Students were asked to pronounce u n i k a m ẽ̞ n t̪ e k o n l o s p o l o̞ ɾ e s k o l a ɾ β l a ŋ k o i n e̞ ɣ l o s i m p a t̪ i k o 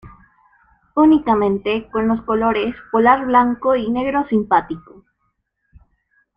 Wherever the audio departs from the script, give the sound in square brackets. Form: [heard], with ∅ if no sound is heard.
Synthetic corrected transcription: u n i k a m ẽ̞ n t̪ e k o n l o s [k] o l o̞ ɾ e s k o l a ɾ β l a ŋ k o i n e̞ ɣ [ɾ] o s i m p a t̪ i k o